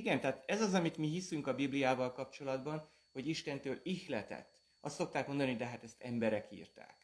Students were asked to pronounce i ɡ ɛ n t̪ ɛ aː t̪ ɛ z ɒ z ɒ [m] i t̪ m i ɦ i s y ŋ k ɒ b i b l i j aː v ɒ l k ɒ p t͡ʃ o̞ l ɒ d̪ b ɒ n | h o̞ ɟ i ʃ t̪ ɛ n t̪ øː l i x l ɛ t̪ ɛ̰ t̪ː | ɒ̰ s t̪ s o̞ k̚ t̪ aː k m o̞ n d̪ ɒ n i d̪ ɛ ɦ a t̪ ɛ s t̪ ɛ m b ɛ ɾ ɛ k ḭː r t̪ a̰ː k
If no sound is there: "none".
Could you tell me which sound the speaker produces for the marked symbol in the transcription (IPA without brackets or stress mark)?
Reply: m